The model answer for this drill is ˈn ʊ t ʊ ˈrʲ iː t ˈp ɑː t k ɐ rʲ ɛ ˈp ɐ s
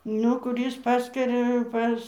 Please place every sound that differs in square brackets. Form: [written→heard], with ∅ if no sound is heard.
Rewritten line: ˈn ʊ [t→k] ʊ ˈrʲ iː [t→s] ˈp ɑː [t→s] k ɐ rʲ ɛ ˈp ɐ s